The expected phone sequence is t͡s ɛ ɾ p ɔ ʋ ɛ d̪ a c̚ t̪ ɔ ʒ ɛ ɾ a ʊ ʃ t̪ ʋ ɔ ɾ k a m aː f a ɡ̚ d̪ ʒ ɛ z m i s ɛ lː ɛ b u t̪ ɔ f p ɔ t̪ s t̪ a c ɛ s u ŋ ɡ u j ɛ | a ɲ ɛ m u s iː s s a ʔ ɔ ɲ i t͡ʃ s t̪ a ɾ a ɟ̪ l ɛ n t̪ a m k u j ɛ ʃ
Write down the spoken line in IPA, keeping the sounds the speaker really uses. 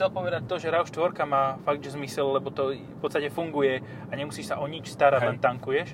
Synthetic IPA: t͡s ɛ l p ɔ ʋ ɛ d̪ a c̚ t̪ ɔ ʒ ɛ ɾ a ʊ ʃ t̪ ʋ ɔ ɾ k a m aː f a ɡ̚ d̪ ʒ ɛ z m i s ɛ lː ɛ b ɔ t̪ ɔ f p ɔ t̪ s t̪ a c ɛ f u ŋ ɡ u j ɛ | a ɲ ɛ m u s iː ʃ s a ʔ ɔ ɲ i t͡ʃ s t̪ a ɾ a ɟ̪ l ɛ n t̪ a ŋ k u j ɛ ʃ